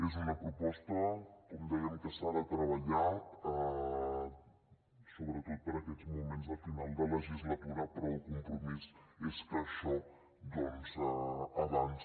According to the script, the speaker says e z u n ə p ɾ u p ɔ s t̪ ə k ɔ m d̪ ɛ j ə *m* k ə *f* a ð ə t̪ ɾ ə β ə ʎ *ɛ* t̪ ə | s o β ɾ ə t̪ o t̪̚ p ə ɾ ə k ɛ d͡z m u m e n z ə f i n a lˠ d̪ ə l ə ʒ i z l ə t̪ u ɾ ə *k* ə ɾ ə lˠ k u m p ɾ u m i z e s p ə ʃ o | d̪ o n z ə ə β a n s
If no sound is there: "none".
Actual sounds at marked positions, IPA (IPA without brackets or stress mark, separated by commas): m, s, a, p